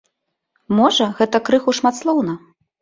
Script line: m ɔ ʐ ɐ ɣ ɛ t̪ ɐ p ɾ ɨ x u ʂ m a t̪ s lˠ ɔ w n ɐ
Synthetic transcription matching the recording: m ɔ ʐ ɐ ɣ ɛ t̪ ɐ k ɾ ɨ x u ʂ m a t̪ s lˠ ɔ w n ɐ